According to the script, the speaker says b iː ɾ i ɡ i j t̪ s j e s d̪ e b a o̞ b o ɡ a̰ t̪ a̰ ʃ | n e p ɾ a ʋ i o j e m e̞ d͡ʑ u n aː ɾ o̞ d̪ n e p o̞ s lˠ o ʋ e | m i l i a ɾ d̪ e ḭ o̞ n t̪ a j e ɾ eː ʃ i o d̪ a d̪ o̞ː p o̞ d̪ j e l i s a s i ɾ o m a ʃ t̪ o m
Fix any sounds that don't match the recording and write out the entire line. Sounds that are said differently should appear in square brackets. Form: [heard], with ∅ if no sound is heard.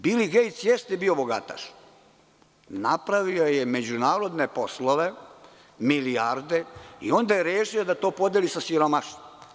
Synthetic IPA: b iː [l] i ɡ [e] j t̪ s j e s [t̪] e b [i] o̞ b o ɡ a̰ t̪ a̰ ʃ | n [a] p ɾ a ʋ i o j e m e̞ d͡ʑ u n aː ɾ o̞ d̪ n e p o̞ s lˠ o ʋ e | m i l i a ɾ d̪ e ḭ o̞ n [d̪] a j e ɾ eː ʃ i o d̪ a [t̪] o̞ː p o̞ d̪ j e l i s a s i ɾ o m a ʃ t̪ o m

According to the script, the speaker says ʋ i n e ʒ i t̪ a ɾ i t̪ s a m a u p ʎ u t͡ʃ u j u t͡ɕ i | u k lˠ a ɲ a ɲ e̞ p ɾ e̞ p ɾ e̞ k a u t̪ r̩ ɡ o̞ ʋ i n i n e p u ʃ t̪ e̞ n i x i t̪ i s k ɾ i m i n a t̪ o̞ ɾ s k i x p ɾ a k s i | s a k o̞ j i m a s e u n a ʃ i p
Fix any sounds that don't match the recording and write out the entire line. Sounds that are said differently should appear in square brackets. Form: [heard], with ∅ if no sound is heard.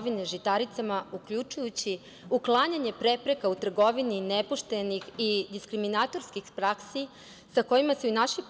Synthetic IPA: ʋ i n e ʒ i t̪ a ɾ i t̪ s a m a u [k] ʎ u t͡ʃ u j u t͡ɕ i | u k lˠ a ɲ a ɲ e̞ p ɾ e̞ p ɾ e̞ k a u t̪ r̩ ɡ o̞ ʋ i n i n e p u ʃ t̪ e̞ n i x i [d̪] i s k ɾ i m i n a t̪ o̞ ɾ s k i x p ɾ a k s i | s a k o̞ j i m a s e u n a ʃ i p

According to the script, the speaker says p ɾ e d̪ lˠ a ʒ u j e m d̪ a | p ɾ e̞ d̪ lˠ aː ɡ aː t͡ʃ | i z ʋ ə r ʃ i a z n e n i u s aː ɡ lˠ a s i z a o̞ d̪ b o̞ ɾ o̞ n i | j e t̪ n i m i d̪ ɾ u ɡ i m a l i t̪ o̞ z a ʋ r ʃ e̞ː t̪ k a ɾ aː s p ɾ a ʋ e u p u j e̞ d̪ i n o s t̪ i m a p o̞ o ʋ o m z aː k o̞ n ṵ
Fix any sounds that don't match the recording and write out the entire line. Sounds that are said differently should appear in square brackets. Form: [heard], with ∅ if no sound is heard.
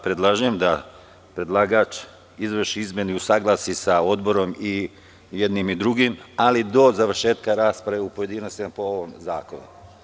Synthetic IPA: p ɾ e d̪ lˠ a ʒ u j e m d̪ a | p ɾ e̞ d̪ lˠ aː ɡ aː t͡ʃ | i z ʋ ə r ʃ i [i] z [m] e n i u s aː ɡ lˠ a s i [s] a o̞ d̪ b o̞ ɾ o̞ [m] i | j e [d̪] n i m i d̪ ɾ u ɡ i m a l i [d̪] o̞ z a ʋ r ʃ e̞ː t̪ k a ɾ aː s p ɾ a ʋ e u p [o] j e̞ d̪ i n o s t̪ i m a p o̞ o ʋ o m z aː k o̞ n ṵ

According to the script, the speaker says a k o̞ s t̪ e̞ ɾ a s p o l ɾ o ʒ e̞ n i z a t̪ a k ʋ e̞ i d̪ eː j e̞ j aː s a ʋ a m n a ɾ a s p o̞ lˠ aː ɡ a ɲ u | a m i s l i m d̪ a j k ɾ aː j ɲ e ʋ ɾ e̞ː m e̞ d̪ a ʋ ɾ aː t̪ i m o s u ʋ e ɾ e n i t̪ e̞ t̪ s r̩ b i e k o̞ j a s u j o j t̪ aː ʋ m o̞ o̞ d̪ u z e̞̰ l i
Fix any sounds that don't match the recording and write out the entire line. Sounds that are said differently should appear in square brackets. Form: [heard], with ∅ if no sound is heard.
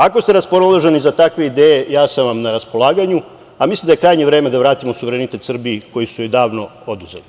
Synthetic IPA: a k o̞ s t̪ e̞ ɾ a s p o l [l] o ʒ e̞ n i z a t̪ a k ʋ e̞ i d̪ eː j e̞ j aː s a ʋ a m n a ɾ a s p o̞ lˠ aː ɡ a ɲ u | a m i s l i m d̪ a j k ɾ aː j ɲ e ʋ ɾ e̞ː m e̞ d̪ a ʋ ɾ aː t̪ i m o s u ʋ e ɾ e n i t̪ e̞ t̪ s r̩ b i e k o̞ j [i] s u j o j [d̪] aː ʋ [n] o̞ o̞ d̪ u z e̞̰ l i

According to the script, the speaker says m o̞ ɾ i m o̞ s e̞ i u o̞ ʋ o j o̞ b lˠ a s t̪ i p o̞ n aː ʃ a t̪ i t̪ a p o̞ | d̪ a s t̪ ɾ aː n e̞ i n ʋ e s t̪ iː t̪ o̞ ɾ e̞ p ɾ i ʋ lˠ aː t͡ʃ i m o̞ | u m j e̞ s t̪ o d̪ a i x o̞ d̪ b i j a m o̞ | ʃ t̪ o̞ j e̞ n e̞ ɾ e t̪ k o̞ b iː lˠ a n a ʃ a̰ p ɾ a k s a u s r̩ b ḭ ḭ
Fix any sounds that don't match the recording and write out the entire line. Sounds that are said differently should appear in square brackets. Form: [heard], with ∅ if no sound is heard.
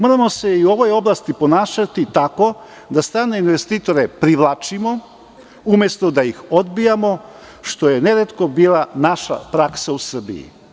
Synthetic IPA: m o̞ ɾ [a] m o̞ s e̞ i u o̞ ʋ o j o̞ b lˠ a s t̪ i p o̞ n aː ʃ a t̪ i t̪ a [k] o̞ | d̪ a s t̪ ɾ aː n e̞ i n ʋ e s t̪ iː t̪ o̞ ɾ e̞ p ɾ i ʋ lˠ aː t͡ʃ i m o̞ | u m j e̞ s t̪ o d̪ a i x o̞ d̪ b i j a m o̞ | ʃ t̪ o̞ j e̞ n e̞ ɾ e t̪ k o̞ b iː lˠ a n a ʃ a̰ p ɾ a k s a u s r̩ b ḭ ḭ

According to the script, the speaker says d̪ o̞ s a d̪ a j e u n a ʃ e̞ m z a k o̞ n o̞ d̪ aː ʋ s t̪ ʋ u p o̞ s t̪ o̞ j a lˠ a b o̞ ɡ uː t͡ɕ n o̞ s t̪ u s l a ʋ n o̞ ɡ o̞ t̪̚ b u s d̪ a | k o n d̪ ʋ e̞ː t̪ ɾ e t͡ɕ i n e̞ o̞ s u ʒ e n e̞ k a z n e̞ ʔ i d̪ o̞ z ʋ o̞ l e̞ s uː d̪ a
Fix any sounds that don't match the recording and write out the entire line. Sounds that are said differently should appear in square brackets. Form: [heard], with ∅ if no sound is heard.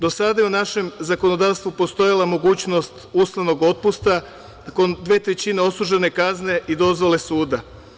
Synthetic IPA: d̪ o̞ s a d̪ a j e u n a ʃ e̞ m z a k o̞ n o̞ d̪ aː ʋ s t̪ ʋ u p o̞ s t̪ o̞ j a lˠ a [m] o̞ ɡ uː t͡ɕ n o̞ s t̪ u s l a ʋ n o̞ ɡ o̞ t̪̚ [p] u s [t̪] a | k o n d̪ ʋ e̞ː t̪ ɾ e t͡ɕ i n e̞ o̞ s u ʒ e n e̞ k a z n e̞ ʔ i d̪ o̞ z ʋ o̞ l e̞ s uː d̪ a

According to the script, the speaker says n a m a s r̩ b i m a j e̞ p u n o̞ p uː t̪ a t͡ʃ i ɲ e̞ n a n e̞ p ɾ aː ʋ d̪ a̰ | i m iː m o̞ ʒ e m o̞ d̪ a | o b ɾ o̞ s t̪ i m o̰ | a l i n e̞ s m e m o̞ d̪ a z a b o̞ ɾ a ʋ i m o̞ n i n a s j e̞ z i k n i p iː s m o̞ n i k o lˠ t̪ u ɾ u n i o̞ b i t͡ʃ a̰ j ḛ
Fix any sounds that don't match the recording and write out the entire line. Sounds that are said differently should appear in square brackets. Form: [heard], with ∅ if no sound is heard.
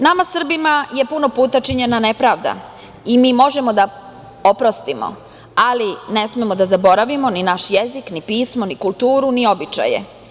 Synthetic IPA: n a m a s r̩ b i m a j e̞ p u n o̞ p uː t̪ a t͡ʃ i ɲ e̞ n a n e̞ p ɾ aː ʋ d̪ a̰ | i m iː m o̞ ʒ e m o̞ d̪ a | o [p] ɾ o̞ s t̪ i m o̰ | a l i n e̞ s m e m o̞ d̪ a z a b o̞ ɾ a ʋ i m o̞ n i n a [ʃ] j e̞ z i k n i p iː s m o̞ n i k [u] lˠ t̪ [uː] ɾ u n i o̞ b i t͡ʃ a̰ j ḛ

